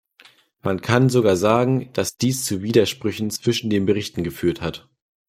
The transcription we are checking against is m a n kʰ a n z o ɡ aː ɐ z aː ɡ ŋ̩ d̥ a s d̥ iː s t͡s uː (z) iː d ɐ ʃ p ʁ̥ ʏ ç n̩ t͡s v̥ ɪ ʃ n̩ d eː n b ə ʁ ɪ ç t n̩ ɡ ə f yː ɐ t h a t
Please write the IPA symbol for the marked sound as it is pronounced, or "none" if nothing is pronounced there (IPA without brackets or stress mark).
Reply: v